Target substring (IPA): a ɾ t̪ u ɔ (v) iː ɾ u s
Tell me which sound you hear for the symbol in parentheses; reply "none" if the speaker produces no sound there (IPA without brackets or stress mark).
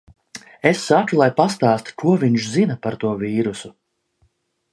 v